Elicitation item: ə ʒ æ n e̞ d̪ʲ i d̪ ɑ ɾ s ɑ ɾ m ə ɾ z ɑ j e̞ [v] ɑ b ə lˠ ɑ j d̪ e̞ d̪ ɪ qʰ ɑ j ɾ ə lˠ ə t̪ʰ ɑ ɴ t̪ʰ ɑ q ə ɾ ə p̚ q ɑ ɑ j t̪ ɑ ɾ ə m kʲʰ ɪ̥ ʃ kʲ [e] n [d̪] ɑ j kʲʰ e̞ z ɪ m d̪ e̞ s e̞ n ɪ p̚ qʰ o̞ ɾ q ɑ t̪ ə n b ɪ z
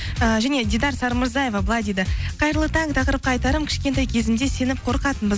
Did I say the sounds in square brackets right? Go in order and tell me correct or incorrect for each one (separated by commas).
correct, correct, incorrect